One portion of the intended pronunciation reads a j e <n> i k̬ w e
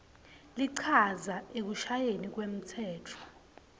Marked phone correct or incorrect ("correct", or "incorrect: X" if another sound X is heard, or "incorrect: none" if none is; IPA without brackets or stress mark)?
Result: correct